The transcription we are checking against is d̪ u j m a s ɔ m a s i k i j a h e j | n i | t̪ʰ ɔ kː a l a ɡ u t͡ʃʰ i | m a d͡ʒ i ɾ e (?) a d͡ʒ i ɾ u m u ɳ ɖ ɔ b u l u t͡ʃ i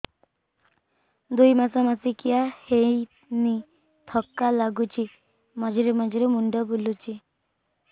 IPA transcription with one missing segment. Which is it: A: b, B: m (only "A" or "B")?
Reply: B